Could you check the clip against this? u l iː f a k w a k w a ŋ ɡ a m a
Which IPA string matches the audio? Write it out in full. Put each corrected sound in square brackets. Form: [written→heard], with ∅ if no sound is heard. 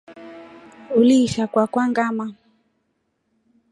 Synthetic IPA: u l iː [f→ʃ] a k w a k w a ŋ ɡ a m a